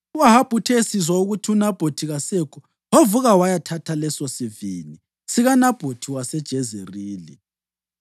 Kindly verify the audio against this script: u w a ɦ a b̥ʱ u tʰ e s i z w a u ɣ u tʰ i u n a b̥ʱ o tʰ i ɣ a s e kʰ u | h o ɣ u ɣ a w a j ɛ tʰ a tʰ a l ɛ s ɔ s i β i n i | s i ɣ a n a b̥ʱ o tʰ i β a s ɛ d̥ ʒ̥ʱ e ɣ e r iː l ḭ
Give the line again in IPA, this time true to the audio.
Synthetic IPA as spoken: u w a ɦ a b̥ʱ u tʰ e s i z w a u ɣ u tʰ i u n a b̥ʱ o tʰ i ɣ a s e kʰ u | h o v u ɣ a w a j a tʰ a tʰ a l ɛ s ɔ s i v i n i | s i ɣ a n a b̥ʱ o tʰ i w a s ɛ d̥ ʒ̥ʱ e z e r iː l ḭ